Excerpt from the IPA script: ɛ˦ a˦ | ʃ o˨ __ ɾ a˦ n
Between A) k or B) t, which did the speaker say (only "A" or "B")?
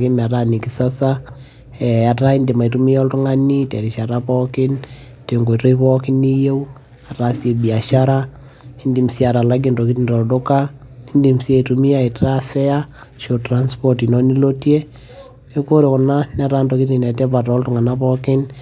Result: B